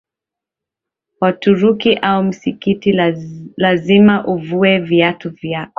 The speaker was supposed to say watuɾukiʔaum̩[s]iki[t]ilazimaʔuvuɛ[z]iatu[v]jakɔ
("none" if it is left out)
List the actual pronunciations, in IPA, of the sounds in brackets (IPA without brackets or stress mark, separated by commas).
s, t, v, v